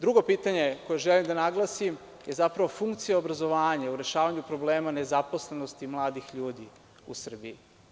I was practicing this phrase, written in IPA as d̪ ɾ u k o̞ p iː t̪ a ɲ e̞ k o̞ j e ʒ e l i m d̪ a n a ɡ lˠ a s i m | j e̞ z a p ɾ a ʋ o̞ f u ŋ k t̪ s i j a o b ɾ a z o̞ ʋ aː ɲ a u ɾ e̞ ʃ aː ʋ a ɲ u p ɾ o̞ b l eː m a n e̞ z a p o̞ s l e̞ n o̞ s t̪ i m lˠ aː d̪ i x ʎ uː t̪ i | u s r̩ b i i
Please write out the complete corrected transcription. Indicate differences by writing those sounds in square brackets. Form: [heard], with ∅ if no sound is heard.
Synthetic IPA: d̪ ɾ u [ɡ] o̞ p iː t̪ a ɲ e̞ k o̞ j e ʒ e l i m d̪ a n a ɡ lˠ a s i m | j e̞ z a p ɾ a ʋ o̞ f u ŋ k t̪ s i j a o b ɾ a z o̞ ʋ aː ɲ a u ɾ e̞ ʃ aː ʋ a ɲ u p ɾ o̞ b l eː m a n e̞ z a p o̞ s l e̞ n o̞ s t̪ i m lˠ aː d̪ i x ʎ uː [d̪] i | u s r̩ b i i

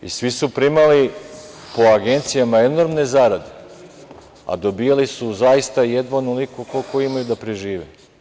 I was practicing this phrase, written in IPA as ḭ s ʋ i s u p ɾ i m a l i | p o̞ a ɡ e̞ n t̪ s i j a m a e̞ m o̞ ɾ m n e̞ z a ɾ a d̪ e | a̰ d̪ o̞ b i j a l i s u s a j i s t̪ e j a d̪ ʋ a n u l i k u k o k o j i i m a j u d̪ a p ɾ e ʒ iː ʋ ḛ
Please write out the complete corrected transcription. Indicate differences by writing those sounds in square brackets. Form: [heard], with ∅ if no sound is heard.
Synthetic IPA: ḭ s ʋ i s u p ɾ i m a l i | p o̞ a ɡ e̞ n t̪ s i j a m a e̞ [n] o̞ ɾ m n e̞ z a ɾ a d̪ e | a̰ d̪ o̞ b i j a l i s u [z] a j i s t̪ [a] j [e] d̪ ʋ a n u l i k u k o k o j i i m a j u d̪ a p ɾ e ʒ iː ʋ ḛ

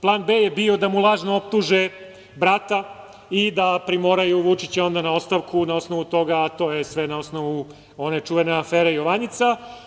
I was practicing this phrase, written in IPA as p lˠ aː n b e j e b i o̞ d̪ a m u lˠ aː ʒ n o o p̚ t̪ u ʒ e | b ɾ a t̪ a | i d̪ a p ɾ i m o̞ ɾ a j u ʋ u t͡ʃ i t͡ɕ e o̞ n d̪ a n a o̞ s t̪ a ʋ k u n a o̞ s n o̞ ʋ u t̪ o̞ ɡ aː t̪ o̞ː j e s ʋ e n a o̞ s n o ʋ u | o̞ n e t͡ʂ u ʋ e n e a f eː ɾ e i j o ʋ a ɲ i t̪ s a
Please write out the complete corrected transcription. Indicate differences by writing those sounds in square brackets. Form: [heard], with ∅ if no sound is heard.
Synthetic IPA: p lˠ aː n b e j e b i o̞ d̪ a m u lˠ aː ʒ n o o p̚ t̪ u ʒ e | b ɾ a t̪ a | i d̪ a p ɾ i m o̞ ɾ a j u ʋ u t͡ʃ i t͡ɕ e o̞ n d̪ a n a o̞ s t̪ a ʋ k u n a o̞ s n o̞ ʋ u t̪ o̞ ɡ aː t̪ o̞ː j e s ʋ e n a o̞ s n o ʋ u | o̞ n e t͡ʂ u ʋ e n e a f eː ɾ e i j o ʋ a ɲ i t̪ s a

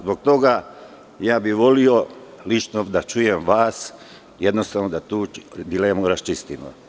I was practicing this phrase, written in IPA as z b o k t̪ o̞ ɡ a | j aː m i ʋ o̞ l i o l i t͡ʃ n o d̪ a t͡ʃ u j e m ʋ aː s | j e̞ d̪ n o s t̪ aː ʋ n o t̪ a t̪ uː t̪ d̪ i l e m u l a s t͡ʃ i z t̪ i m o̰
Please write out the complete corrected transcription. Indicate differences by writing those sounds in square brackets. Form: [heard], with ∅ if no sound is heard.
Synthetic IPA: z b o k t̪ o̞ ɡ a | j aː [b] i ʋ o̞ l i o l i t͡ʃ n o d̪ a t͡ʃ u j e m ʋ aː s | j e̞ d̪ n o s t̪ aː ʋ n o [d̪] a t̪ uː [∅] d̪ i l e m u [ɾ] a s t͡ʃ i [s] t̪ i m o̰

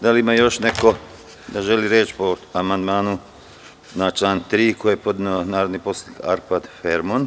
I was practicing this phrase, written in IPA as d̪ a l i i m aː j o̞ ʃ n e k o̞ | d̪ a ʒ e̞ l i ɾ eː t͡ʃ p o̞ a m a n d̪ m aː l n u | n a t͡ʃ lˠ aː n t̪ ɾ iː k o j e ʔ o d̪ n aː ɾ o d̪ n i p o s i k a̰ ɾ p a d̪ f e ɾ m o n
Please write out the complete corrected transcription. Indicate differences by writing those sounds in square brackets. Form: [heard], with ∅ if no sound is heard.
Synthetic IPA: d̪ a l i i m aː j o̞ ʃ n e k o̞ | d̪ a ʒ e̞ l i ɾ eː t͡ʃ p o̞ a m a n d̪ m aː [∅] n u | n a t͡ʃ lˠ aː n t̪ ɾ iː k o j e [p] o d̪ n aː ɾ o d̪ n i p o s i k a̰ ɾ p a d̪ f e ɾ m o n

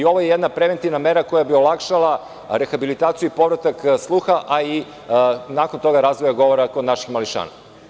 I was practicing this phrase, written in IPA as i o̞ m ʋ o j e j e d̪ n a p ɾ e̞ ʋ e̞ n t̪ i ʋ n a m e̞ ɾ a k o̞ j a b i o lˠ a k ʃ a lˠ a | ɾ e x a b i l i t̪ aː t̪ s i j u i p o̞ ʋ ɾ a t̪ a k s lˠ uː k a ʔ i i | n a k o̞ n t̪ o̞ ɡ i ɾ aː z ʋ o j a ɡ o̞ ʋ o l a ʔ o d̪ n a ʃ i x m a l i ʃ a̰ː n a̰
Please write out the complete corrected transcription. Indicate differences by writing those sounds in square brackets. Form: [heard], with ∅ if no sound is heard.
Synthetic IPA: i o̞ [∅] ʋ o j e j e d̪ n a p ɾ e̞ ʋ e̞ n t̪ i ʋ n a m e̞ ɾ a k o̞ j a b i o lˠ a k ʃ a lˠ a | ɾ e x a b i l i t̪ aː t̪ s i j u i p o̞ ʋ ɾ a t̪ a k s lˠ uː [x] a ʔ [a] i | n a k o̞ n t̪ o̞ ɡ [a] ɾ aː z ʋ o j a ɡ o̞ ʋ o [ɾ] a [k] o d̪ n a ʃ i x m a l i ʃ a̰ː n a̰

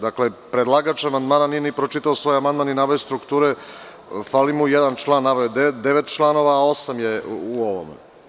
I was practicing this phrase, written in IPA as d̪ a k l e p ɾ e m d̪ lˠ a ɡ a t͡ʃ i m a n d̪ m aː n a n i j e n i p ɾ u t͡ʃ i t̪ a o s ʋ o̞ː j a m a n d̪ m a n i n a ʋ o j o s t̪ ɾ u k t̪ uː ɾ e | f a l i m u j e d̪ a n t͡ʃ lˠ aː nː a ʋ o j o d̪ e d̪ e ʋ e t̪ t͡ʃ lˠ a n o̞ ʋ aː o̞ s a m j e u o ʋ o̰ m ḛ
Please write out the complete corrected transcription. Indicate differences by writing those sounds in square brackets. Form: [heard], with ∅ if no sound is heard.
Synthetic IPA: d̪ a k l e p ɾ e [∅] d̪ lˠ a ɡ a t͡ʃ [a] m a n d̪ m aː n a n i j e n i p ɾ [o] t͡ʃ i t̪ a o s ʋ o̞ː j a m a n d̪ m a n i n a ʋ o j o s t̪ ɾ u k t̪ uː ɾ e | f a l i m u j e d̪ a n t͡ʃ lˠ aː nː a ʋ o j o d̪ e d̪ e ʋ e t̪ t͡ʃ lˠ a n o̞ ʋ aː o̞ s a m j e u o ʋ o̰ m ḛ

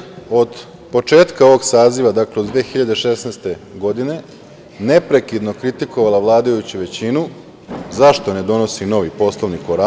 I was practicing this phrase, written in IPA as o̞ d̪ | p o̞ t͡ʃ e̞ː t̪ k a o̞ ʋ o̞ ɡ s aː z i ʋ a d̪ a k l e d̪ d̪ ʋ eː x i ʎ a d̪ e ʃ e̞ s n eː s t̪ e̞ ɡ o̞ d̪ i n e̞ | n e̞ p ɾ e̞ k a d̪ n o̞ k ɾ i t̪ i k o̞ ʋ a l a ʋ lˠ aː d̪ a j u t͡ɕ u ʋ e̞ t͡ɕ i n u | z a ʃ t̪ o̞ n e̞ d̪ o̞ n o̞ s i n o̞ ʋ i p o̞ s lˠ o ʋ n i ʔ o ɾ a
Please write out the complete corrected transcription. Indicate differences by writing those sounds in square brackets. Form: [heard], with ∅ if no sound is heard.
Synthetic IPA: o̞ d̪ | p o̞ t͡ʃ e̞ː t̪ k a o̞ ʋ o̞ ɡ s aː z i ʋ a d̪ a k l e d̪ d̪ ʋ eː x i ʎ a d̪ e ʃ e̞ s n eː s t̪ e̞ ɡ o̞ d̪ i n e̞ | n e̞ p ɾ e̞ k [i] d̪ n o̞ k ɾ i t̪ i k o̞ ʋ a l a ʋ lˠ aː d̪ a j u t͡ɕ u ʋ e̞ t͡ɕ i n u | z a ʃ t̪ o̞ n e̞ d̪ o̞ n o̞ s i n o̞ ʋ i p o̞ s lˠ o ʋ n i [k] o ɾ a

